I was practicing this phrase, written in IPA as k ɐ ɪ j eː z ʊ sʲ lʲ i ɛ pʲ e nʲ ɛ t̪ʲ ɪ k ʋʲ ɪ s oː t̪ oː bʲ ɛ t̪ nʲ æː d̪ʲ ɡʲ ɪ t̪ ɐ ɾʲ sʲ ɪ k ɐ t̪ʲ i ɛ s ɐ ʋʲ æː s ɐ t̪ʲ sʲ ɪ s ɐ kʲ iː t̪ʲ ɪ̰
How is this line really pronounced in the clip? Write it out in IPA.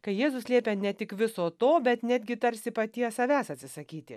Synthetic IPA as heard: k ɐ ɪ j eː z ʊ sʲ lʲ i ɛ pʲ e nʲ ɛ t̪ʲ ɪ k ʋʲ ɪ s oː t̪ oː bʲ ɛ t̪ nʲ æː d̪ʲ ɡʲ ɪ t̪ ɐ ɾʲ sʲ ɪ p ɐ t̪ʲ i ɛ s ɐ ʋʲ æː s ɐ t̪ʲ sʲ ɪ s ɐ kʲ iː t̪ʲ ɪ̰